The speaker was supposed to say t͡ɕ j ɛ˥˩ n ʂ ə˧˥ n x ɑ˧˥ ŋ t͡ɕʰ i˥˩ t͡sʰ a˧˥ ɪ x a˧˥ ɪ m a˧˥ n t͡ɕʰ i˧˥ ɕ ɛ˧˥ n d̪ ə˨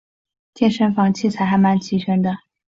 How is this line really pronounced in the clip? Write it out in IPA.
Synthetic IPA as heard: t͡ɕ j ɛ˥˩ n ʂ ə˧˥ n f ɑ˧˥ ŋ t͡ɕʰ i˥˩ t͡sʰ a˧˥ ɪ x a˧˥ ɪ m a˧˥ n t͡ɕʰ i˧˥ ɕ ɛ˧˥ n d̪ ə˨